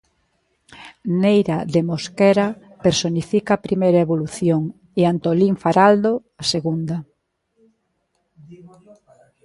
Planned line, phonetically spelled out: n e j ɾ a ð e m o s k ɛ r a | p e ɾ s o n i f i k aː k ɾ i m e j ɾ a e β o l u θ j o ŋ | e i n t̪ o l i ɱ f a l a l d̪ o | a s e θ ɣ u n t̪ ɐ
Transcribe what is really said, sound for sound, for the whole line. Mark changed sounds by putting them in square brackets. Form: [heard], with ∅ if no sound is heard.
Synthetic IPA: n e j ɾ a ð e m o s k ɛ [ɾ] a | p e ɾ s o n i f i k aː [p] ɾ i m e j ɾ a e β o l u θ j o ŋ | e [a] n t̪ o l i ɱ f a [ɾ] a l d̪ o | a s e [∅] ɣ u n [d̪] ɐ